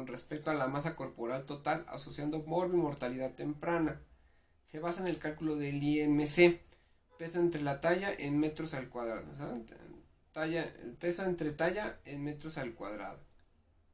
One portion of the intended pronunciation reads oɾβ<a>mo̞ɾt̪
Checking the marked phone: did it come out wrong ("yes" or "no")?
yes